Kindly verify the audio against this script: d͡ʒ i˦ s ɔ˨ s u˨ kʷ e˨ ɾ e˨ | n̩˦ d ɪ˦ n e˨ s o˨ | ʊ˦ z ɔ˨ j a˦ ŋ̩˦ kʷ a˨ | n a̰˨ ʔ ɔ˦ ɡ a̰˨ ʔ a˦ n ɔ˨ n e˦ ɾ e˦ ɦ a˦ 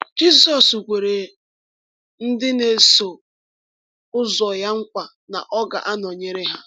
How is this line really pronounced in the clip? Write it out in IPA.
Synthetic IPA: d͡ʒ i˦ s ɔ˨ s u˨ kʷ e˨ ɾ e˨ | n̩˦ d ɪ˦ n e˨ s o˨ | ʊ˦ z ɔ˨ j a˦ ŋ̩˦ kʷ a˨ | n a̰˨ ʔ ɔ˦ ɡ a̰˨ ʔ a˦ n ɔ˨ ɲ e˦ ɾ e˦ ɦ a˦